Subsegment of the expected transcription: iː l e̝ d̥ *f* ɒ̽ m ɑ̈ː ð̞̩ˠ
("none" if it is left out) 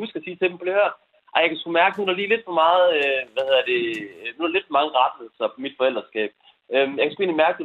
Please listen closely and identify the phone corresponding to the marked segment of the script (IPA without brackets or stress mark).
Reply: f